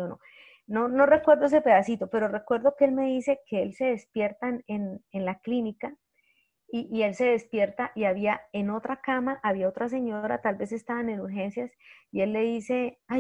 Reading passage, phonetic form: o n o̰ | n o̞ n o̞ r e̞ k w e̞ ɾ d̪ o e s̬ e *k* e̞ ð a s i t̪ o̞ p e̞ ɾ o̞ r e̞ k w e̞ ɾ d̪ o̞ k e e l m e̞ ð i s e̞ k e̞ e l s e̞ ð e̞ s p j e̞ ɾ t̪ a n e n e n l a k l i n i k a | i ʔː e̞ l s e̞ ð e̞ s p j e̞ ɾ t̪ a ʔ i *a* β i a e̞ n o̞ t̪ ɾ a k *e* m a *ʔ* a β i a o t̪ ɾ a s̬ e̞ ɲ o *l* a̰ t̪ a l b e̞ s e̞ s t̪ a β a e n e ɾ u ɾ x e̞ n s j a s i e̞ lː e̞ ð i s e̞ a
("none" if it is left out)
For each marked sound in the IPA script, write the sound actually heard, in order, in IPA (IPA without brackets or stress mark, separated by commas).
p, a, a, ʔ, ɾ